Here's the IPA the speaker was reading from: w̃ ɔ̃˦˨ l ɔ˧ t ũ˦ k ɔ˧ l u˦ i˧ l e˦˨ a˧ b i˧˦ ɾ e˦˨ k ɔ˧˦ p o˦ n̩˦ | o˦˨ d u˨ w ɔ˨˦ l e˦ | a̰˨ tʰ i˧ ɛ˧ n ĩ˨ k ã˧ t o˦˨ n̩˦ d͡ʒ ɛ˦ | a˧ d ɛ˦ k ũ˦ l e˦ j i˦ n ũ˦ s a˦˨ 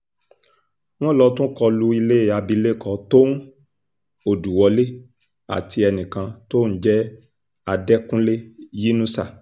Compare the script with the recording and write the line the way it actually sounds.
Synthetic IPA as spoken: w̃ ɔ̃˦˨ l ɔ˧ t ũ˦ k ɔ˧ l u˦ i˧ l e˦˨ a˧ b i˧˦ l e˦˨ k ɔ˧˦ t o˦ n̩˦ | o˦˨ d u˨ w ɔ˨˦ l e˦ | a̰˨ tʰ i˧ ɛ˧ n ĩ˨ k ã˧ t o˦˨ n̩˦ d͡ʒ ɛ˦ | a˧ d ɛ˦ k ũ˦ l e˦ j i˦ n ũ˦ s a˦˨

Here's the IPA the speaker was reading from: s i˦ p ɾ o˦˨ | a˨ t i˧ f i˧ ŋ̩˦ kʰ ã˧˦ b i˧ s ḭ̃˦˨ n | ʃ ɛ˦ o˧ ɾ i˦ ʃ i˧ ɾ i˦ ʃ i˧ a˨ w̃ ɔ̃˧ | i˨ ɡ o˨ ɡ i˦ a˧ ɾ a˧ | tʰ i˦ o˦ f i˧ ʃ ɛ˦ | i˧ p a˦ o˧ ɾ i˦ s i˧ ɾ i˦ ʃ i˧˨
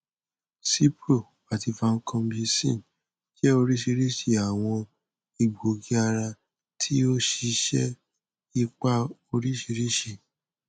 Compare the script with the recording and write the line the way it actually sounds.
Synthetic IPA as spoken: s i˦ p ɾ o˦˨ | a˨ t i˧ f a˧ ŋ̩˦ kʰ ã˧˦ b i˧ s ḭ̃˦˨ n | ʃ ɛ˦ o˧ ɾ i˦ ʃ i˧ ɾ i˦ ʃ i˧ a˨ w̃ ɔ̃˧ | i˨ ɡ͡b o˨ ɡ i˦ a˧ ɾ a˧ | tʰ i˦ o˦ ʃ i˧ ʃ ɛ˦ | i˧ k͡p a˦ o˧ ɾ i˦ ʃ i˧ ɾ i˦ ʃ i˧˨

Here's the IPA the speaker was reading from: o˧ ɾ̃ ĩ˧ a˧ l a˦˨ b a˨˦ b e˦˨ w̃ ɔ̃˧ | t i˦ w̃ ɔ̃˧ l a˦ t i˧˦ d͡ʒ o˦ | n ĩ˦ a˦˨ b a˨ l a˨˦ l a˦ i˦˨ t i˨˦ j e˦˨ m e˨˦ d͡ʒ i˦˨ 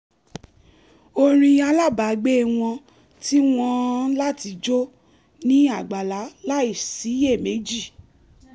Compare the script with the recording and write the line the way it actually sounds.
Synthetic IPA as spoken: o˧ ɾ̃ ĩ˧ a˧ l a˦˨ b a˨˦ ɡ͡b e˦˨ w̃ ɔ̃˧ | t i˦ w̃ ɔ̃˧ l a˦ t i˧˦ d͡ʒ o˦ | n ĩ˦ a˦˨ ɡ͡b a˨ l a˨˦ l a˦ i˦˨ s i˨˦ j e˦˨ m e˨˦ d͡ʒ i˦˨

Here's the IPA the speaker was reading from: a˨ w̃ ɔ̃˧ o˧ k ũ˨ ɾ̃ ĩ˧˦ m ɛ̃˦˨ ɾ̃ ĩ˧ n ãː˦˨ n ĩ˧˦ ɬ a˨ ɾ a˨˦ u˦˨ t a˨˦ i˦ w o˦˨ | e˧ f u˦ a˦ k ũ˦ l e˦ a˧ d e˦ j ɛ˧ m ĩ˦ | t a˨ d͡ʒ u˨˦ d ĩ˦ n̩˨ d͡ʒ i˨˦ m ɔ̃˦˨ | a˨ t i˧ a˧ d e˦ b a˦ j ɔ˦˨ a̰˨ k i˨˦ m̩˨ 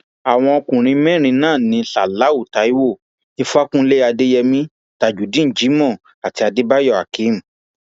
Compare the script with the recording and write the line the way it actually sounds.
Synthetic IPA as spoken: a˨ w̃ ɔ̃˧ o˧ k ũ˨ ɾ̃ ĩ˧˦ m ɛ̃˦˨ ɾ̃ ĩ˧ n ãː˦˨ n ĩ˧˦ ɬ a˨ l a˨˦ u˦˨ t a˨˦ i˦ w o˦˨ | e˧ f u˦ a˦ k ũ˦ l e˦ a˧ d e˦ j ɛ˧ m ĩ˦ | t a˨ d͡ʒ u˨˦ d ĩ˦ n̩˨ d͡ʒ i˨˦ m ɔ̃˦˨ | a˨ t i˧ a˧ d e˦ b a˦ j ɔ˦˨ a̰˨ k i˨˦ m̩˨

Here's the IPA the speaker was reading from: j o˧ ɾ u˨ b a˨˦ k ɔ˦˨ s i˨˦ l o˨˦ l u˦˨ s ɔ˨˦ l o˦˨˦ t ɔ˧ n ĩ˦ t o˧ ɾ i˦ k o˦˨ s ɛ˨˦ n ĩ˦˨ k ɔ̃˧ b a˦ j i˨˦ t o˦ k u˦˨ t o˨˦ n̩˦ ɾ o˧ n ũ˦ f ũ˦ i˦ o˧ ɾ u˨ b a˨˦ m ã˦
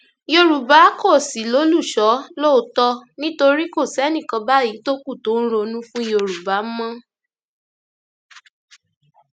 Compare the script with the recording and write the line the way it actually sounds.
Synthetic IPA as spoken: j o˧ ɾ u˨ b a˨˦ k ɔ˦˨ s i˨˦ l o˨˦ l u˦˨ ʃ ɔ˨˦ l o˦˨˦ t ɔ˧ n ĩ˦ t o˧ ɾ i˦ k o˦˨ s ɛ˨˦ n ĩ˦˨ k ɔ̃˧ b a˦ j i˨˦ t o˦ k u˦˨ t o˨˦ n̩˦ ɾ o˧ n ũ˦ f ũ˦ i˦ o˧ ɾ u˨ b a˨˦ m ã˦

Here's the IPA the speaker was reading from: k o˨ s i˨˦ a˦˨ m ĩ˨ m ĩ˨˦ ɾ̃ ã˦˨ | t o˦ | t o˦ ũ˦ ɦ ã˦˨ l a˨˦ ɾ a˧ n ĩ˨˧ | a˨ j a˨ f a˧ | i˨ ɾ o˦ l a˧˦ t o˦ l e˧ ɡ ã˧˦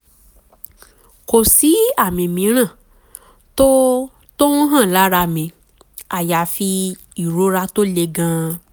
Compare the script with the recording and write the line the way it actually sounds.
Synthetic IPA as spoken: k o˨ s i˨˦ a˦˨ m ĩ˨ m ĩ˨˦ ɾ̃ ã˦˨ | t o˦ | t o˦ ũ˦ ɦ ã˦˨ l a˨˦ ɾ a˧ m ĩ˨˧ | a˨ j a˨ f i˧ | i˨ ɾ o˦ ɾ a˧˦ t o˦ l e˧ ɡ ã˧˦

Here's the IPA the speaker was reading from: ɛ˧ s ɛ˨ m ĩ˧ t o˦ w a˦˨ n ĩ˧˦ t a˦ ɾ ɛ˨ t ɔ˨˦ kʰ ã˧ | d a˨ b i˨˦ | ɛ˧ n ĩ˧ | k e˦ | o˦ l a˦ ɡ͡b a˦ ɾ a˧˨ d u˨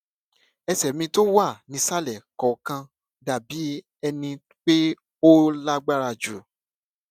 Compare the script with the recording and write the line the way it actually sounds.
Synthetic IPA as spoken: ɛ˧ s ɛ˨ m ĩ˧ t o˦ w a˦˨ n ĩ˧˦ s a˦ l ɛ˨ k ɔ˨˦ k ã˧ | d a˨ b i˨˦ | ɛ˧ n ĩ˧ | k͡p e˦ | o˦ l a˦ ɡ͡b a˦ ɾ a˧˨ d͡ʒ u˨

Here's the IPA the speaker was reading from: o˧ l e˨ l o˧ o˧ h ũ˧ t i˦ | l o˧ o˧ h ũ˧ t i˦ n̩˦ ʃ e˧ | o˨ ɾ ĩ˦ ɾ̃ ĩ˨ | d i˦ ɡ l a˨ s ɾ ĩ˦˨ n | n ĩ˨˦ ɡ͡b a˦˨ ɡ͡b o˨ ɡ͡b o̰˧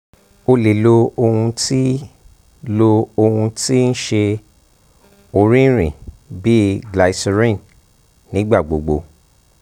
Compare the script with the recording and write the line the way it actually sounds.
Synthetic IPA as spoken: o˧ l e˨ l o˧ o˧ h ũ˧ t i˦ | l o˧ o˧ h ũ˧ t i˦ n̩˦ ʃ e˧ | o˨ ɾ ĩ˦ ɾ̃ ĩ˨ | b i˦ ɡ l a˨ s ɾ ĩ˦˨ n | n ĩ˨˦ ɡ͡b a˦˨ ɡ͡b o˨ ɡ͡b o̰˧

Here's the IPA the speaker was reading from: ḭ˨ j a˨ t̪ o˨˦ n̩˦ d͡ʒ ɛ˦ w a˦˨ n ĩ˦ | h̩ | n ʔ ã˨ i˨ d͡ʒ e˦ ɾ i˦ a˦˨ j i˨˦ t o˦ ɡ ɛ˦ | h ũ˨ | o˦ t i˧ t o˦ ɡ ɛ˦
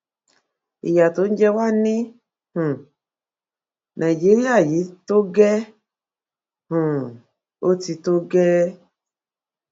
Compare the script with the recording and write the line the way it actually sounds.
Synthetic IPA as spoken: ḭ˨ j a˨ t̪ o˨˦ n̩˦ d͡ʒ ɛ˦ w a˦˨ n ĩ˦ | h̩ | n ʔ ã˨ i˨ d͡ʒ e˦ ɾ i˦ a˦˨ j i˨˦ t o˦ ɡ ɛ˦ | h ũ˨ | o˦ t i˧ t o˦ ɡ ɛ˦

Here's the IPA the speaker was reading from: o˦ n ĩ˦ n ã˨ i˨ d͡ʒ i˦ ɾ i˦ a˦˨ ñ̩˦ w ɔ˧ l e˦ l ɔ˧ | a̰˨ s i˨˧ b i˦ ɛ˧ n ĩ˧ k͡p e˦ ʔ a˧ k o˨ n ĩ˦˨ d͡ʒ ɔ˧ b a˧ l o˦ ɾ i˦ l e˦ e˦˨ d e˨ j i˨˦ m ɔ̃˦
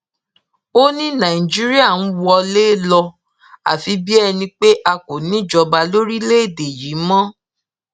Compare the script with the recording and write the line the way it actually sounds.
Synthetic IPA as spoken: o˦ n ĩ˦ n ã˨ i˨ d͡ʒ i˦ ɾ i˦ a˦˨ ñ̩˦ w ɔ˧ l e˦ l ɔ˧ | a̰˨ f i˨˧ b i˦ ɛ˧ n ĩ˧ k͡p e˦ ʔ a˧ k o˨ n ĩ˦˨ d͡ʒ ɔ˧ b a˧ l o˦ ɾ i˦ l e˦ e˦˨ d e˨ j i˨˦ m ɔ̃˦

